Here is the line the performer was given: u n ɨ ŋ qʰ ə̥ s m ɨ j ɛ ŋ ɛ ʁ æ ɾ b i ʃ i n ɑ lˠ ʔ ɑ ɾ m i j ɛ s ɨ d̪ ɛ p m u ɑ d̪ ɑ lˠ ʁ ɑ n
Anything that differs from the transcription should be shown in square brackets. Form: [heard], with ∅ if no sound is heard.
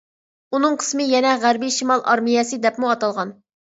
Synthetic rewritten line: u n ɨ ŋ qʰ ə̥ s m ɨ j ɛ [n] ɛ ʁ æ ɾ b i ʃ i [m] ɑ lˠ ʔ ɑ ɾ m i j ɛ s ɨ d̪ ɛ p m u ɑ [t̪] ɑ lˠ ʁ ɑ n